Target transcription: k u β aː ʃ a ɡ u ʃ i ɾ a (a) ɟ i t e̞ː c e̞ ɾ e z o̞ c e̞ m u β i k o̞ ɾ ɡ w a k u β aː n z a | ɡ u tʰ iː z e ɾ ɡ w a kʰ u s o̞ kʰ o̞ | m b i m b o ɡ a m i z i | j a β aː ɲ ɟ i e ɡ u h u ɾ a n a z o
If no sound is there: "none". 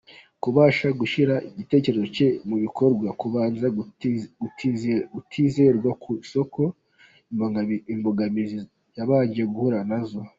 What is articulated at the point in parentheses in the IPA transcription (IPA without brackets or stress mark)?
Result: i